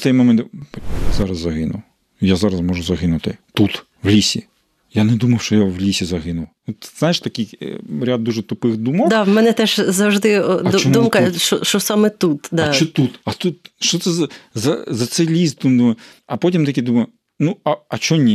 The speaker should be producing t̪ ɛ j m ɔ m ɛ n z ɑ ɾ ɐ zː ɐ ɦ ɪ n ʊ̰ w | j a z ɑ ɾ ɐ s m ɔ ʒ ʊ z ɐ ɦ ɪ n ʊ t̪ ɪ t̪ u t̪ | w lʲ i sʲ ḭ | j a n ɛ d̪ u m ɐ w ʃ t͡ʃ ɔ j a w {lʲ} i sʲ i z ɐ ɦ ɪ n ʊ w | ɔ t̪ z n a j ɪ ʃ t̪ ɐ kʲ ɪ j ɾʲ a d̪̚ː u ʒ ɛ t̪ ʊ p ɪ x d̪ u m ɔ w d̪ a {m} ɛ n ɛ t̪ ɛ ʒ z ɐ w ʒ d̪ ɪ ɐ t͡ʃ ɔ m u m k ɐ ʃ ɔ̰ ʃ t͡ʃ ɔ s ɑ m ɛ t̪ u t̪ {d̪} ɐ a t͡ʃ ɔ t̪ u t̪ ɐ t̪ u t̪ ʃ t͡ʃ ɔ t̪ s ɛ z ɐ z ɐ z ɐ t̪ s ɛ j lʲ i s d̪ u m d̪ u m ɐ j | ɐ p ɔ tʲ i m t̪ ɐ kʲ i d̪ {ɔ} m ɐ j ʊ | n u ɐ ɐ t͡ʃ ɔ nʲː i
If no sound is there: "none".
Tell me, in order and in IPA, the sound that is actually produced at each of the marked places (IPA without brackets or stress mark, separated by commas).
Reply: lʲ, m, d̪, u